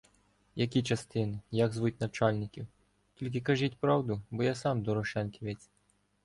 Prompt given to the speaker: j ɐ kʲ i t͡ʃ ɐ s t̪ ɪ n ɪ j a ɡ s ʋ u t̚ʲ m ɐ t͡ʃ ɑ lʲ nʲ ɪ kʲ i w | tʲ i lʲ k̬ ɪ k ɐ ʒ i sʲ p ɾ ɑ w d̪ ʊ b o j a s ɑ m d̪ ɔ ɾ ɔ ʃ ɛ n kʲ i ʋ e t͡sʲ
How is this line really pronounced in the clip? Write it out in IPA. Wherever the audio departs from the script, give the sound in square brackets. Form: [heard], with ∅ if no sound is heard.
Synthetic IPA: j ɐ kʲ i t͡ʃ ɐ s t̪ ɪ n ɪ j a ɡ [z] ʋ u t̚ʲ [n] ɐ t͡ʃ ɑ lʲ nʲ ɪ kʲ i w | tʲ i lʲ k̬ ɪ k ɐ ʒ i [tʲ] p ɾ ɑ w d̪ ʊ b [ɔ] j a s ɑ m d̪ ɔ ɾ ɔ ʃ ɛ n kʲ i ʋ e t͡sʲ